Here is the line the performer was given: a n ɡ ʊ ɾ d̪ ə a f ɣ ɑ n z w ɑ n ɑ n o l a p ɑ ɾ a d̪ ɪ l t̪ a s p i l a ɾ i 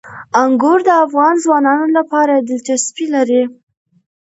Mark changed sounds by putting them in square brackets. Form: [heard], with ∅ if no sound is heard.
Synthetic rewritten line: a [ŋ] ɡ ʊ ɾ d̪ ə a f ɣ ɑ n z w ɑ n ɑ n o l a p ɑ ɾ a d̪ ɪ l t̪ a s p i l a ɾ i